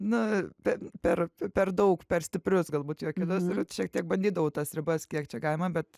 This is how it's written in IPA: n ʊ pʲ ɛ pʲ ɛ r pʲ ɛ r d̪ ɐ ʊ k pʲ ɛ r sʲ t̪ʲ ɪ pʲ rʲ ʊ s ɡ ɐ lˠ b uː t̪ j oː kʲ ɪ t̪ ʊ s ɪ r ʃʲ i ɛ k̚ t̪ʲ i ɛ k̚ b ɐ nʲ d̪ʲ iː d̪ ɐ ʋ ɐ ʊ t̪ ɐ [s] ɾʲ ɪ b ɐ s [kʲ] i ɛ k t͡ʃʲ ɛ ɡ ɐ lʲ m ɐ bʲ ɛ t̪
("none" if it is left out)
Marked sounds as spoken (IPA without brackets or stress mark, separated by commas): s, kʲ